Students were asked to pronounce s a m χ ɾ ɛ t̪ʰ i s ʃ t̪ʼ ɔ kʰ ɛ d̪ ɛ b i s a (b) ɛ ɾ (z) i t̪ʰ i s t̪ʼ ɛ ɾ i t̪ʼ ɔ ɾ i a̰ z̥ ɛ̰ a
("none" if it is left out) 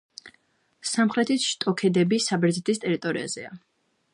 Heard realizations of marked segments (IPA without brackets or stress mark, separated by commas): b, z